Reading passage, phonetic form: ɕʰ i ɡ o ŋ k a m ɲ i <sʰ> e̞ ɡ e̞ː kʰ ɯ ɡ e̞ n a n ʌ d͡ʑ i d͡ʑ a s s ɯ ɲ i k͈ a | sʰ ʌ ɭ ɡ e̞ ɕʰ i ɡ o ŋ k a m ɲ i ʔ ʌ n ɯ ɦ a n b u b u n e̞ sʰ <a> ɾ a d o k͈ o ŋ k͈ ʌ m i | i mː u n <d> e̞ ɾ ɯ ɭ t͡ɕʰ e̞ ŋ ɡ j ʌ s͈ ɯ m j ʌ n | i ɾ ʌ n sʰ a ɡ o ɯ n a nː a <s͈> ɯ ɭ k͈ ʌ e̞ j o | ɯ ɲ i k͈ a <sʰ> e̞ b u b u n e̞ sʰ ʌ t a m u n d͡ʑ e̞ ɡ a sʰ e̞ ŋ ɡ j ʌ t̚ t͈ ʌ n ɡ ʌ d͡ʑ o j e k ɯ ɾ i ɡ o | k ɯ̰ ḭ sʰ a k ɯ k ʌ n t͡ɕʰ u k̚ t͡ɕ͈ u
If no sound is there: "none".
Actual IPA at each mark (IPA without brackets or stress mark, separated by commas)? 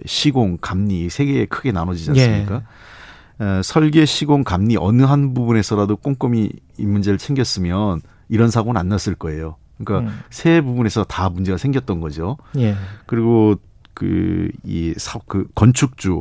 sʰ, ʌ, d͡ʑ, s͈, sʰ